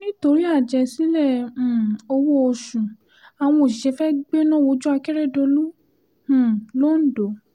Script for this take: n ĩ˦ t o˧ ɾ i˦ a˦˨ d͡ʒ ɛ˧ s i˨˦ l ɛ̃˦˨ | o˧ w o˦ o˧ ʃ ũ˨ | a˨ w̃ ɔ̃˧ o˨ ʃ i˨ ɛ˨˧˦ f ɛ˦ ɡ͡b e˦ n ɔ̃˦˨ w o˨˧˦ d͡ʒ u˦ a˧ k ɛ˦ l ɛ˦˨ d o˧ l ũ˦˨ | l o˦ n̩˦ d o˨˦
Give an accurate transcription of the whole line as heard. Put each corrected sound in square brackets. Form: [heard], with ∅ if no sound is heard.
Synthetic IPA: n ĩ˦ t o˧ ɾ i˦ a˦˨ d͡ʒ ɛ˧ s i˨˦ l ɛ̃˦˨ | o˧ w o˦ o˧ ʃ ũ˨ | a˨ w̃ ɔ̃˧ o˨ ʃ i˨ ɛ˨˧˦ f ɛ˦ ɡ͡b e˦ n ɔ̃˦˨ w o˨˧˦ d͡ʒ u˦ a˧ k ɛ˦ [ɾ] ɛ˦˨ d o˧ l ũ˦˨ | l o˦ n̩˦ d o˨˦